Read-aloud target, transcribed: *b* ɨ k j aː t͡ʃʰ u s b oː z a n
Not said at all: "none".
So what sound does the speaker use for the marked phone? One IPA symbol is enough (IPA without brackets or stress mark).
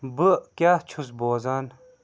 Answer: b